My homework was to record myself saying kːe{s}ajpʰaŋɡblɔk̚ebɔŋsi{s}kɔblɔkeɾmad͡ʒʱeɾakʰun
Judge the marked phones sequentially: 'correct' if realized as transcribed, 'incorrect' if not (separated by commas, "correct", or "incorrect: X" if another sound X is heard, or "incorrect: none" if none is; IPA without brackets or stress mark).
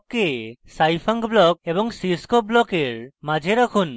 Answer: correct, correct